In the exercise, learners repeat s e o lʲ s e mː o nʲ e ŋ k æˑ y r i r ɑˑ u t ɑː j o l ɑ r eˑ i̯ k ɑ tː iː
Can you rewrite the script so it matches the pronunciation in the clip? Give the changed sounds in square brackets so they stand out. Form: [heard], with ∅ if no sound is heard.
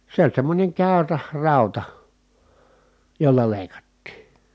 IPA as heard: s e o lʲ s e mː o nʲ e ŋ k æˑ y r [æ] r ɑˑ u t [ɑ] j o [lː] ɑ [l] eˑ i̯ k ɑ tː iː